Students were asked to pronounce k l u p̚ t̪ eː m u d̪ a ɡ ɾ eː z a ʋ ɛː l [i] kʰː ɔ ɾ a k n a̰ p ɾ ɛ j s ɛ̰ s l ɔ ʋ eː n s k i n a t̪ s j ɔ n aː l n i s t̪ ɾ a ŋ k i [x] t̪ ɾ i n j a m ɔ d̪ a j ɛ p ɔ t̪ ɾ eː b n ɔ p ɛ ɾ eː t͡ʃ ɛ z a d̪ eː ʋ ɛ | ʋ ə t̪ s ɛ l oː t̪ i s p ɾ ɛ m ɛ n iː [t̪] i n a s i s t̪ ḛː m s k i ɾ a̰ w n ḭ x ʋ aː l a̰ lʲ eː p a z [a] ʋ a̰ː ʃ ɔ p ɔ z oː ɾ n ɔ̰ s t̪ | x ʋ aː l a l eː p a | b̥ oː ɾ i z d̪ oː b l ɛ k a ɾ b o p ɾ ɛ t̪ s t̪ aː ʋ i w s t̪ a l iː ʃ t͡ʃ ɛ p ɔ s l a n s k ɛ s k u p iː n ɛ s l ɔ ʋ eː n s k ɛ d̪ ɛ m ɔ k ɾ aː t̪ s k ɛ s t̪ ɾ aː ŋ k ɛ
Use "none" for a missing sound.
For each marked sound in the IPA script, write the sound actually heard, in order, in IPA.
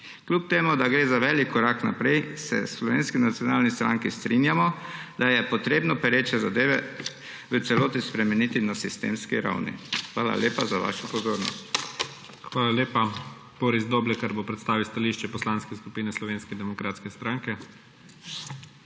i, s, t̪, a

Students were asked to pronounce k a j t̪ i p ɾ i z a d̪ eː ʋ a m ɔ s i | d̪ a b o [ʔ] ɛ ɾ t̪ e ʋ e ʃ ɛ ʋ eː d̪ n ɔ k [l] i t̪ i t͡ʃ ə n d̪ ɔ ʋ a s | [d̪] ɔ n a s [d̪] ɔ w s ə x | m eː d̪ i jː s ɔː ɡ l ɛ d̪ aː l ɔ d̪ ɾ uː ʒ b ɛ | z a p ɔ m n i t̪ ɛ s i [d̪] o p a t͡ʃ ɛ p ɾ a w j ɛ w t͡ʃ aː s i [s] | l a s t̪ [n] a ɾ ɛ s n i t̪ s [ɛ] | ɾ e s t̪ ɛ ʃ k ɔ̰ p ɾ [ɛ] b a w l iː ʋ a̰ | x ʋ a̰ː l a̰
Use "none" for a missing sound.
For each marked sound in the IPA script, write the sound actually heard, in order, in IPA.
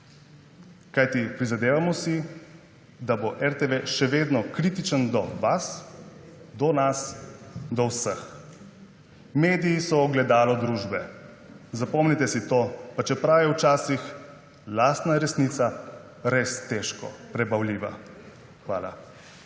ʔ, ɾ, d̪, d̪, t̪, x, n, a, ɛ

